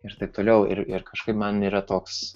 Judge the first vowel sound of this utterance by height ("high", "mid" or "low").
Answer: high